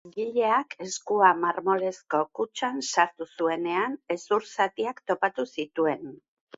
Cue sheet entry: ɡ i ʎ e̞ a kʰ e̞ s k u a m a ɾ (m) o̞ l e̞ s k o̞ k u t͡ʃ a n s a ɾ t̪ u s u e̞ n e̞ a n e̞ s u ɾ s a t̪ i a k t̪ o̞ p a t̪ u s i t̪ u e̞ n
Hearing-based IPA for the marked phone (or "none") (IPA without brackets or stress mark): m